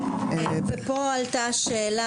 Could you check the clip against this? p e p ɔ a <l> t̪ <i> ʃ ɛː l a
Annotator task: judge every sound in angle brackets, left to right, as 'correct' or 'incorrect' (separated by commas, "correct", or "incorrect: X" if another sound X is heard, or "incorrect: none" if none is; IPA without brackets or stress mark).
correct, incorrect: a